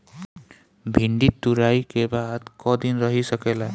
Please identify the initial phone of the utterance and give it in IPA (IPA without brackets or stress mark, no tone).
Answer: bʱ